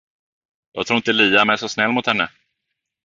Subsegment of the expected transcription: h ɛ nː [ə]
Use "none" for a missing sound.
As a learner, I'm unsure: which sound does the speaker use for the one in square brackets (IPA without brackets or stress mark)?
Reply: ə